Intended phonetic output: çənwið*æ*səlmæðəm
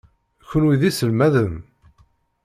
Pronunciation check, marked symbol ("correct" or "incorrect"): incorrect